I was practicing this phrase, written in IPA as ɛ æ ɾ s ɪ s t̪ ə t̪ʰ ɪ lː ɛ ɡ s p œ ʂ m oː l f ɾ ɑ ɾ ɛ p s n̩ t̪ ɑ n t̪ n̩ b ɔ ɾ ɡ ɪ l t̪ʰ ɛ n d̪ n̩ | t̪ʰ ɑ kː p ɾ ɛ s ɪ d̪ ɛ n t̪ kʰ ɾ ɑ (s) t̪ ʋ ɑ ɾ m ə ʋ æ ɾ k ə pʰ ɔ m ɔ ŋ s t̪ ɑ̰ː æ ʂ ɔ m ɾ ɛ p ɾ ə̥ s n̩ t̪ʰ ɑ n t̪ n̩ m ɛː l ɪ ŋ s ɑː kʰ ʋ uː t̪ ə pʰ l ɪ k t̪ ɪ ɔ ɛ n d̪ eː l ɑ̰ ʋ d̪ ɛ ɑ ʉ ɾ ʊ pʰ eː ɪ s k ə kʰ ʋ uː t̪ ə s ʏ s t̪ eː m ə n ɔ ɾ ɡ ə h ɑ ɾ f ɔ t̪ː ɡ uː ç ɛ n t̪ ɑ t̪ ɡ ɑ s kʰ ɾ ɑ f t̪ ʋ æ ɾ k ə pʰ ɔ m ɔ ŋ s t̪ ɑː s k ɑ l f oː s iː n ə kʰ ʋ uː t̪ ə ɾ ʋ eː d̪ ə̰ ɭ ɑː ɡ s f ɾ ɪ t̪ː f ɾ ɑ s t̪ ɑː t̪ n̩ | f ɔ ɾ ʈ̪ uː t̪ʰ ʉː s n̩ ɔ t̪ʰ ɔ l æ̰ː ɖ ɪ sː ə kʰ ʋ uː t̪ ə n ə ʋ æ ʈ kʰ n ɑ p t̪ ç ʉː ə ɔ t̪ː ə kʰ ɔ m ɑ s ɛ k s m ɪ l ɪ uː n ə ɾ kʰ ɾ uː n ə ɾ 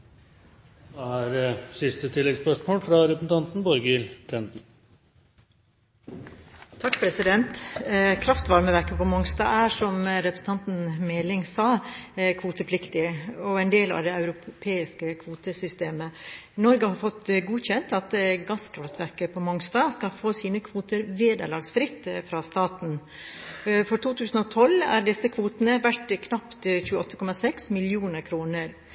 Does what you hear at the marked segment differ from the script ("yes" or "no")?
yes